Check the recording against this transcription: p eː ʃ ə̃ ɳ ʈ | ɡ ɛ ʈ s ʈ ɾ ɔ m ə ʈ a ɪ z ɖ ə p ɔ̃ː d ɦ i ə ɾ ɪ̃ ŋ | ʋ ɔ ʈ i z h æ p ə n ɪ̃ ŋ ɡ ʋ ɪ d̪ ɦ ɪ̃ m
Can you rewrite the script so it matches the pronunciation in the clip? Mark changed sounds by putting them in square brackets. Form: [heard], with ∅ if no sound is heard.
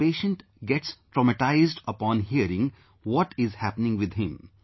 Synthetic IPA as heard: p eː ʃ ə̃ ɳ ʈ | ɡ ɛ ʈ s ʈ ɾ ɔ m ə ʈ a ɪ z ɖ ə p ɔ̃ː [n] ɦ i ə ɾ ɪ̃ ŋ | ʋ ɔ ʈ [ɪ] z h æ p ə n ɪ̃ ŋ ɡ ʋ ɪ d̪ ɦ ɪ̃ m